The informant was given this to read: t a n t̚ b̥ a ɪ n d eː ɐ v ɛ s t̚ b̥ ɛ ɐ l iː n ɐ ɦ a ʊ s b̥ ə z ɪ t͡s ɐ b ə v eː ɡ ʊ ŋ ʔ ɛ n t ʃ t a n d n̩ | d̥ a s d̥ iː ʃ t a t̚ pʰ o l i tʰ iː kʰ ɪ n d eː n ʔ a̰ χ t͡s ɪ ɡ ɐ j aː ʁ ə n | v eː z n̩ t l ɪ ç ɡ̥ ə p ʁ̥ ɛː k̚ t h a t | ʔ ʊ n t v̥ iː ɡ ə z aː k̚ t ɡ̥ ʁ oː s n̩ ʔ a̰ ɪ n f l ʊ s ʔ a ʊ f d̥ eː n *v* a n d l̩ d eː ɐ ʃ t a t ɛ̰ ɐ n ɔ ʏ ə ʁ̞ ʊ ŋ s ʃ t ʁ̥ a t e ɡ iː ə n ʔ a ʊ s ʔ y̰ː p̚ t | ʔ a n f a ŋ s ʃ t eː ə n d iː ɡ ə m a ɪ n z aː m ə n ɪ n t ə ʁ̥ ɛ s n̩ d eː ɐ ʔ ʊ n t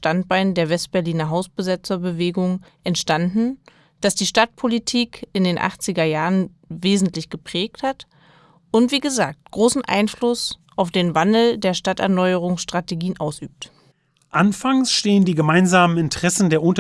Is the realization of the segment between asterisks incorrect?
no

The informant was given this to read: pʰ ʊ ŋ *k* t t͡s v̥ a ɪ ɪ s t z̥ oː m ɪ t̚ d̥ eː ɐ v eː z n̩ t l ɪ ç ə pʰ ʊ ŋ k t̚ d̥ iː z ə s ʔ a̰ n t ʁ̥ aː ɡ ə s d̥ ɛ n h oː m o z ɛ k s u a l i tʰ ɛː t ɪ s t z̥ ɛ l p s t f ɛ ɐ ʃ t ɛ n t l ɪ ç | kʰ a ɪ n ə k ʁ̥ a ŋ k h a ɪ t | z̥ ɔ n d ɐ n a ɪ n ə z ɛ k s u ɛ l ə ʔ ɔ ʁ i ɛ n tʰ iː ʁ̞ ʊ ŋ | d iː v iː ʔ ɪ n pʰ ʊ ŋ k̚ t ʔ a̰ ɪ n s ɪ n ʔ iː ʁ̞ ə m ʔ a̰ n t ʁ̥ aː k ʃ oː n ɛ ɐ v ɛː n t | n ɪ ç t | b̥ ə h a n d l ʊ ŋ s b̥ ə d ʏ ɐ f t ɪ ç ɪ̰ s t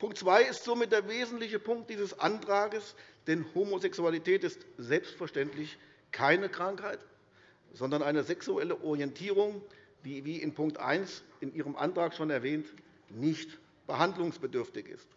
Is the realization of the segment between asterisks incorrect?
no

